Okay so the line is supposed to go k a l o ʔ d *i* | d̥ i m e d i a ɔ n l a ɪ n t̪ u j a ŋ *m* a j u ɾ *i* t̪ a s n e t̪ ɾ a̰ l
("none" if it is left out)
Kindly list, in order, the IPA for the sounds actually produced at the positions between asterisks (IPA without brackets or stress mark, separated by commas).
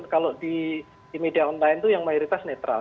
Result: i, m, i